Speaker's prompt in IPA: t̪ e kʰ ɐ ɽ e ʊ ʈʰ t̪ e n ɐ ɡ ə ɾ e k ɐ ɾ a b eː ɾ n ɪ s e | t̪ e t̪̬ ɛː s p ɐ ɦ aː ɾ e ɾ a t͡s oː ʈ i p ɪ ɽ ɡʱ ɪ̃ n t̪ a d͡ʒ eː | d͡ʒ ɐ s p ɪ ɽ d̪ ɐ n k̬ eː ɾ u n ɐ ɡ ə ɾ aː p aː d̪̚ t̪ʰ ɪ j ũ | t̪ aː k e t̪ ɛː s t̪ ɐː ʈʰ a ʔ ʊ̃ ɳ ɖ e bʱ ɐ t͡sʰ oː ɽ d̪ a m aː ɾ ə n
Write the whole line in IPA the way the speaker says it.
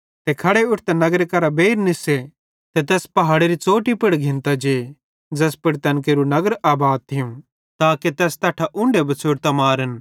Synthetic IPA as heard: t̪ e kʰ ɐ ɽ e ʊ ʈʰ t̪ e n ɐ ɡ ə ɾ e k ɐ ɾ a b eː ɾ n ɪ s e | t̪ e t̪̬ ɛː s p ɐ ɦ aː ɽ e ɾ i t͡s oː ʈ i p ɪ ɽ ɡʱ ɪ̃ n t̪ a d͡ʒ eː | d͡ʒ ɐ s p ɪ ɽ t̪ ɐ n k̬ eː ɾ u n ɐ ɡ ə ɾ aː b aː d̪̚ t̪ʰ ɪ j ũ | t̪ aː k e t̪ ɛː s t̪ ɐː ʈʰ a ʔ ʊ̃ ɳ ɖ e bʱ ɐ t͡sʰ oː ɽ t̪ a m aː ɾ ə n